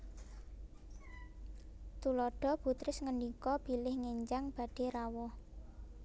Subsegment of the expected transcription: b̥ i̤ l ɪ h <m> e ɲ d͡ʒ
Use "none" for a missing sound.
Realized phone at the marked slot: ŋ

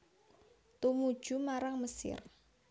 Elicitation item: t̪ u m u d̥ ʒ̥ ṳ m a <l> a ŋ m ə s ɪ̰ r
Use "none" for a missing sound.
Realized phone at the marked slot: ɾ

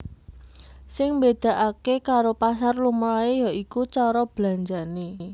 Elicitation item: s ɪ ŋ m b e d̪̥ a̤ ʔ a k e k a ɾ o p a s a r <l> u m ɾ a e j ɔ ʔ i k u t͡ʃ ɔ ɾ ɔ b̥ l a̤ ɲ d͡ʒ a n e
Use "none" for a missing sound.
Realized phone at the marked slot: l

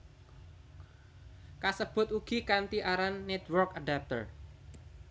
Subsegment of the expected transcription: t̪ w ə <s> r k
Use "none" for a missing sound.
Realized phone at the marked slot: none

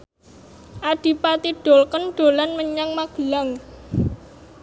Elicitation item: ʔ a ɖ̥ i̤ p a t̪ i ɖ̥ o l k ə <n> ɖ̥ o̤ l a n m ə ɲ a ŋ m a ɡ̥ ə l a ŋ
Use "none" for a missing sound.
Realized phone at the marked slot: n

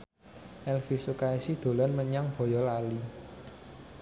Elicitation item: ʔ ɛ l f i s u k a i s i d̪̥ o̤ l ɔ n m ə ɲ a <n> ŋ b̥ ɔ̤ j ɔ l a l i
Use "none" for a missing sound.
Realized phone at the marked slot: none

